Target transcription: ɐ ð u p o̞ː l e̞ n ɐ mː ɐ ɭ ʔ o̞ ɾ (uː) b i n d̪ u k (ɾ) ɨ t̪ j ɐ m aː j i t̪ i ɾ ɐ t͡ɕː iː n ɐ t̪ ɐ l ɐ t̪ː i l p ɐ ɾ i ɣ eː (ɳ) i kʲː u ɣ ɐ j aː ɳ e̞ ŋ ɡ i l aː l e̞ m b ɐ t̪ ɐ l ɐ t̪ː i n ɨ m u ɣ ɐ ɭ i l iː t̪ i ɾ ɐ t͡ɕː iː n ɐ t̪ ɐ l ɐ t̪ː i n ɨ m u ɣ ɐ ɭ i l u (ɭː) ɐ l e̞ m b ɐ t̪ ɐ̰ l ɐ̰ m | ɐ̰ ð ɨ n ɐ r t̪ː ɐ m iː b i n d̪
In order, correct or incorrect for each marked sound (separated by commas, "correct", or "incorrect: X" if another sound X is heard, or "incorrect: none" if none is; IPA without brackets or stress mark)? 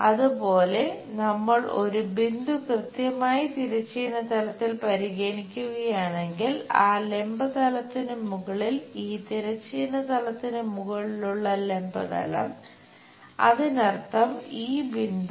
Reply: incorrect: u, incorrect: r, correct, correct